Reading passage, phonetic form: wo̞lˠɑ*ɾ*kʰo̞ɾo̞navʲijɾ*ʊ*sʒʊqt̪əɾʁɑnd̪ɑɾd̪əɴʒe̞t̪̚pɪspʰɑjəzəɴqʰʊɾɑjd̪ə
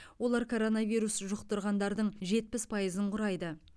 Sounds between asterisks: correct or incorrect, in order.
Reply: correct, incorrect: u

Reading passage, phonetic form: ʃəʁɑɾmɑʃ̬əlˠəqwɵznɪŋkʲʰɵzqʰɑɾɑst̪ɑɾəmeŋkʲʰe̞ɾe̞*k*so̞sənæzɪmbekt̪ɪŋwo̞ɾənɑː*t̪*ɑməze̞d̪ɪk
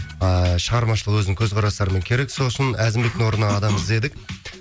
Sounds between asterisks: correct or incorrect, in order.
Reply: correct, incorrect: d̪

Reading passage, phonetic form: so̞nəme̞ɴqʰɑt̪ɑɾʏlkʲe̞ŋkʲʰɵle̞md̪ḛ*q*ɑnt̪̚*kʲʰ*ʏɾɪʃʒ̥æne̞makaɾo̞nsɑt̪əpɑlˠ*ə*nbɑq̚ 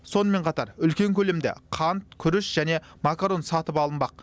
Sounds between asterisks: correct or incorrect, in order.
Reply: incorrect: qʰ, correct, correct

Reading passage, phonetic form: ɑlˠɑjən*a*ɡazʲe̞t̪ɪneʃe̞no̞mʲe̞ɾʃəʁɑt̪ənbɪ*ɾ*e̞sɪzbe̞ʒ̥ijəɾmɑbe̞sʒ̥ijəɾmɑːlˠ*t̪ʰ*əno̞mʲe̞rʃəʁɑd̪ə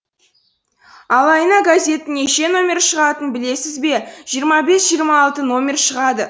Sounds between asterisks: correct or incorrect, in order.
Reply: incorrect: ɑ, incorrect: l, incorrect: t̪

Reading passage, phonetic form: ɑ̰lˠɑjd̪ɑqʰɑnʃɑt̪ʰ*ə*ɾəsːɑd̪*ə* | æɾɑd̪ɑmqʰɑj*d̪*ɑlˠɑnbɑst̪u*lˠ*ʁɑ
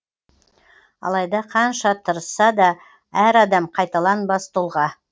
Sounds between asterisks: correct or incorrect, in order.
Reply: correct, incorrect: ɑ, incorrect: t̪, correct

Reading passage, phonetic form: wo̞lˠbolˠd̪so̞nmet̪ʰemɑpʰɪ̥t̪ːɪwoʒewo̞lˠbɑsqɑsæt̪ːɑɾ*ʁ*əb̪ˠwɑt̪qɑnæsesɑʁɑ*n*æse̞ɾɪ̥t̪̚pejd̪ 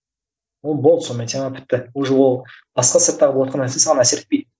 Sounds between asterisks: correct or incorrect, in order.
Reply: correct, correct

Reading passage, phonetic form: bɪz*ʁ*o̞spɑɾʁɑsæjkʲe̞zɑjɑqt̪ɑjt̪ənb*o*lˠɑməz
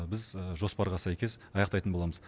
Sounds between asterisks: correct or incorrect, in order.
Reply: incorrect: ʒ, correct

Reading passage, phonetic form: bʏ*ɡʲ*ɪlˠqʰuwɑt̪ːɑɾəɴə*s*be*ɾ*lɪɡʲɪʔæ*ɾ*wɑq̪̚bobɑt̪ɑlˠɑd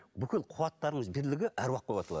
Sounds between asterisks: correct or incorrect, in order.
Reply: incorrect: kʲ, incorrect: z, correct, correct

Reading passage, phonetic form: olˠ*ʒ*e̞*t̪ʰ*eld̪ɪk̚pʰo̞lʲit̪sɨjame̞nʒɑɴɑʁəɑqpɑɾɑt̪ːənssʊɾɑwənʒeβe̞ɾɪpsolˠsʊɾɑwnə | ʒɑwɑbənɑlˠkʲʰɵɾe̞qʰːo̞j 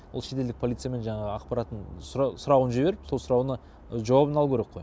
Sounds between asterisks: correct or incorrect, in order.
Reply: incorrect: ʃ, incorrect: t̪

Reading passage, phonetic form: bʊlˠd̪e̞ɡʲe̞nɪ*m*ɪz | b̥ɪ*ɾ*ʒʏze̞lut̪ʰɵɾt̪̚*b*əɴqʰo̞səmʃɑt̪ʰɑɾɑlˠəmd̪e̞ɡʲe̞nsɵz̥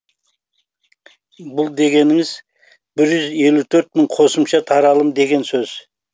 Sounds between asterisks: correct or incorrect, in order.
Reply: incorrect: ŋ, correct, incorrect: m

